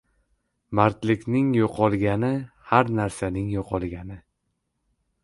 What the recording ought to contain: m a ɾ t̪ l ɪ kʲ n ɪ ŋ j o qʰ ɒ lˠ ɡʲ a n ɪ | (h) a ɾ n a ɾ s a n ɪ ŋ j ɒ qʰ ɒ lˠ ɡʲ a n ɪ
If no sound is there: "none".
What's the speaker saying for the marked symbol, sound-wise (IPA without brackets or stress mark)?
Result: h